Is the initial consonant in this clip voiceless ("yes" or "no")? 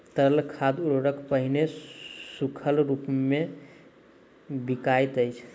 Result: yes